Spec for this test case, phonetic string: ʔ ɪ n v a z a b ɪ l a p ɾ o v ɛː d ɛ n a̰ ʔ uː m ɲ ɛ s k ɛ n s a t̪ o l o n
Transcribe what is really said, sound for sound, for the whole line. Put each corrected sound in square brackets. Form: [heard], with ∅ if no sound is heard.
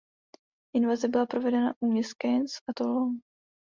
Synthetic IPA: ʔ ɪ n v a z [ɛ] b ɪ l a p ɾ o v [ɛ] d ɛ n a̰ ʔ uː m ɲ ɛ s k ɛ n s a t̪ o l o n